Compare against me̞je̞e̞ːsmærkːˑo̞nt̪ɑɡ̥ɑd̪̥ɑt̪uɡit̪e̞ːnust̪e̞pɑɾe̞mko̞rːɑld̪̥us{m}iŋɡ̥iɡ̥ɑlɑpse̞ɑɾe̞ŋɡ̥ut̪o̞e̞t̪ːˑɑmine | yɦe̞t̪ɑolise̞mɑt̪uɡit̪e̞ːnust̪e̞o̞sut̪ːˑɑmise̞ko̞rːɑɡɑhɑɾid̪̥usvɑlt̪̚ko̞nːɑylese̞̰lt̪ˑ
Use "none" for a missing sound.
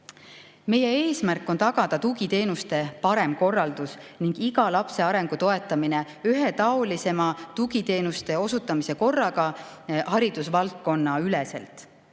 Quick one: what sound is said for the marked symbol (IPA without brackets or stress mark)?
n